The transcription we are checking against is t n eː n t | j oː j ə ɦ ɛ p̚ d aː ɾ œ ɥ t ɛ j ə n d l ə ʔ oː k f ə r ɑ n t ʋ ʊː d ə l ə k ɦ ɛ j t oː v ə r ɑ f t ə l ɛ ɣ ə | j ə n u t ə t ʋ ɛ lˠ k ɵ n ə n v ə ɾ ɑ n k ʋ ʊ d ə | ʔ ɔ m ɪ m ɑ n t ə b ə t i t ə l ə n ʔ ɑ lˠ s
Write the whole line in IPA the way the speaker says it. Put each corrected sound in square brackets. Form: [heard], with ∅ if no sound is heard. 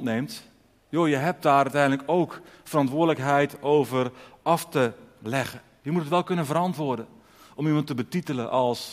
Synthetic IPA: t n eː [m] t | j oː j ə ɦ ɛ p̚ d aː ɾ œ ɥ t ɛ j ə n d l ə [k] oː k f ə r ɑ n t ʋ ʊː d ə l ə k ɦ ɛ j t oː v ə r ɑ f t ə l ɛ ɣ ə | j ə [m] u t ə t ʋ ɛ lˠ k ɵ n ə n v ə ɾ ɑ n [t] ʋ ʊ d ə | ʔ ɔ m [i] m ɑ n t ə b ə t i t ə l ə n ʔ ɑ lˠ s